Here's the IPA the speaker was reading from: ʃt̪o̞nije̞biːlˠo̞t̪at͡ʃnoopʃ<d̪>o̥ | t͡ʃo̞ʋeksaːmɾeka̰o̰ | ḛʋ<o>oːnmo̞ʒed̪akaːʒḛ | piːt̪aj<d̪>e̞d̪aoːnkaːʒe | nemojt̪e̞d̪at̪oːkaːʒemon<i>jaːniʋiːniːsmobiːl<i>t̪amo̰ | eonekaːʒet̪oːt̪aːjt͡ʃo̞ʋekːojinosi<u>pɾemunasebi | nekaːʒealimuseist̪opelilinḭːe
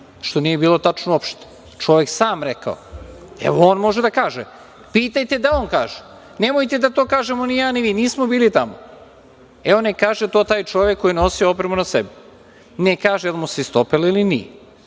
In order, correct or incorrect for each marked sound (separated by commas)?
incorrect, correct, incorrect, correct, correct, incorrect